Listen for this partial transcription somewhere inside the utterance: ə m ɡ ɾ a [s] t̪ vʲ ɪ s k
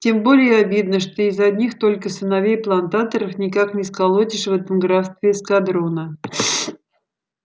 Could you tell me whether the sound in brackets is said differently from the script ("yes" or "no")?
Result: no